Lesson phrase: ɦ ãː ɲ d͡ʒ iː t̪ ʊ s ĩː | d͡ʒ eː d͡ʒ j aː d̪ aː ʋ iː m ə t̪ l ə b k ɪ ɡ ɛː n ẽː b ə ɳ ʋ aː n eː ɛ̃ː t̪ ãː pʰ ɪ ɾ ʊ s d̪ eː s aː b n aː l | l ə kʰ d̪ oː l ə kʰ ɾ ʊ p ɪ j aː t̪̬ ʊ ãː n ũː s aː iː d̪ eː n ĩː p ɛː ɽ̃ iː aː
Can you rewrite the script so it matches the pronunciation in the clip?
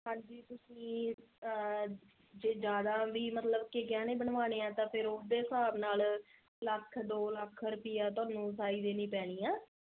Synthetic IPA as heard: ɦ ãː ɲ d͡ʒ iː t̪ ʊ s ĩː | d͡ʒ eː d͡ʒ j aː d̪ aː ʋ iː m ə t̪ l ə b k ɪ ɡ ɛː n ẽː b ə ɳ ʋ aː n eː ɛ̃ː t̪ ãː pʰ ɪ ɾ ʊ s d̪ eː s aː b n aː l | l ə kʰ d̪ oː l ə kʰ ɾ ʊ p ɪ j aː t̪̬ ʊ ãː n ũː s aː iː d̪ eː n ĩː p ɛː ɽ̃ iː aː